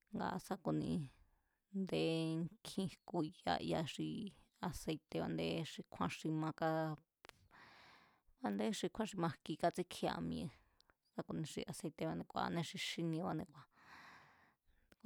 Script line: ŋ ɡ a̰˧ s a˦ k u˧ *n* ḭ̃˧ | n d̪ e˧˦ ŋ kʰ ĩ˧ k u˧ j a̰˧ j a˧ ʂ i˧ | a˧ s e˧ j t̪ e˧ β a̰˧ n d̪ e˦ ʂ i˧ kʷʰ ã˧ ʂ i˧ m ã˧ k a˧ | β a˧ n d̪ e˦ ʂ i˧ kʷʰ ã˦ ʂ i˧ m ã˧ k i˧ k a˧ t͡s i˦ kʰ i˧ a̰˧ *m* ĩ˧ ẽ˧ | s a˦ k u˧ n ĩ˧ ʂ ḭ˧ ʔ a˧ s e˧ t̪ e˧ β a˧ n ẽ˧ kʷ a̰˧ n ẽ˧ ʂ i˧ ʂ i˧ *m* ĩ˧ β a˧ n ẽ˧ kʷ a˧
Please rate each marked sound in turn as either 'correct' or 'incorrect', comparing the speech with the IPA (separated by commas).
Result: correct, correct, incorrect